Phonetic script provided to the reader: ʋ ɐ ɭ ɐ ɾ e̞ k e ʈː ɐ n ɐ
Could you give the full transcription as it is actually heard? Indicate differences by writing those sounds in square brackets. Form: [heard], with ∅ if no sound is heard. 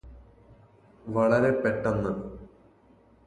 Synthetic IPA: ʋ ɐ ɭ ɐ ɾ e̞ [p] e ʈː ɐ [nː] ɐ